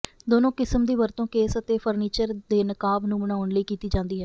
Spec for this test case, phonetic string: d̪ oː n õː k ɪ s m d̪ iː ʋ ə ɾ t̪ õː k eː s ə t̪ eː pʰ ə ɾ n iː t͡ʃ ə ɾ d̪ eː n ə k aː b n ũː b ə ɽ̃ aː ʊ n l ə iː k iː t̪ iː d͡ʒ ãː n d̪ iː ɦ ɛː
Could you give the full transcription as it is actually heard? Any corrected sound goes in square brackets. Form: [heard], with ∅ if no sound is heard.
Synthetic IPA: d̪ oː n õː k ɪ s m d̪ iː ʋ ə ɾ t̪ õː k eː s ə t̪ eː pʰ ə ɾ n iː t͡ʃ ə ɾ d̪ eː n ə k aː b n ũː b ə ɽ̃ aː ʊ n l ə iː k iː t̪ iː d͡ʒ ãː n d̪ iː ɦ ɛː